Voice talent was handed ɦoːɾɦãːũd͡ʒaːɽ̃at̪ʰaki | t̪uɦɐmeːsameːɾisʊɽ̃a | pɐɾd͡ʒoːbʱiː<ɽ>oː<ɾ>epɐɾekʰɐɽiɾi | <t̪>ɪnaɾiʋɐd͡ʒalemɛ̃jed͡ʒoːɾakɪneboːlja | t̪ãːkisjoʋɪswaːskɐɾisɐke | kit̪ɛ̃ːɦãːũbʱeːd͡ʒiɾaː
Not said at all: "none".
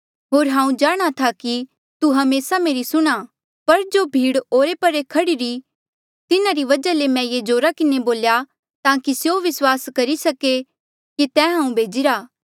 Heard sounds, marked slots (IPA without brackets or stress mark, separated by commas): ɽ, ɾ, t̪